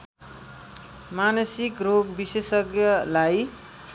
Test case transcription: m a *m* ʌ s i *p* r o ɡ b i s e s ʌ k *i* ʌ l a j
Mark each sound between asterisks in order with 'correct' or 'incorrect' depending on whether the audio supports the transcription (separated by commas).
incorrect, incorrect, incorrect